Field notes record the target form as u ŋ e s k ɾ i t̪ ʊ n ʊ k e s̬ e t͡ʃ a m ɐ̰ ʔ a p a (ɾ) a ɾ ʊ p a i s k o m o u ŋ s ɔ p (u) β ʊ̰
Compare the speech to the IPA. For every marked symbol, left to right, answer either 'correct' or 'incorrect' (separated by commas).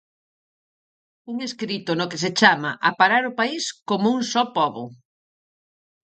correct, incorrect